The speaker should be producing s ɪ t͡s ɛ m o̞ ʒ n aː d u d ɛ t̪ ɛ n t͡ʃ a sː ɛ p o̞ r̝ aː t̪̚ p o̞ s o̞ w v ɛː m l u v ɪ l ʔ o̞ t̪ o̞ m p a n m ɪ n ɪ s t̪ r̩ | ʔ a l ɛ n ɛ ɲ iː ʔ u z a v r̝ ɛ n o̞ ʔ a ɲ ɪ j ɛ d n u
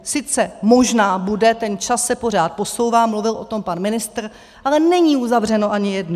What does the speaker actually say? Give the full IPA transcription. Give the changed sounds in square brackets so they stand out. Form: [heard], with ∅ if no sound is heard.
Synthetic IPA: s ɪ t͡s ɛ m o̞ ʒ n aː [b] u d ɛ t̪ ɛ n t͡ʃ a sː ɛ p o̞ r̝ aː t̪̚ p o̞ s o̞ w v [aː] m l u v ɪ l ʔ o̞ t̪ o̞ m p a n m ɪ n ɪ s t̪ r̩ | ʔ a l ɛ n ɛ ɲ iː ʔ u z a v r̝ ɛ n o̞ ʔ a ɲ ɪ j ɛ d n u